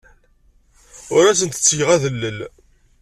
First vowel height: high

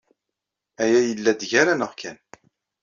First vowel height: low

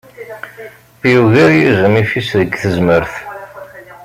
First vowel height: high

